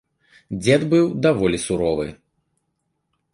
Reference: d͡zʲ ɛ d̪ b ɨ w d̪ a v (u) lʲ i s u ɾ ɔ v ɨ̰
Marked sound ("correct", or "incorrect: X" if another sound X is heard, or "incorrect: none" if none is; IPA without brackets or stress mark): incorrect: ɔ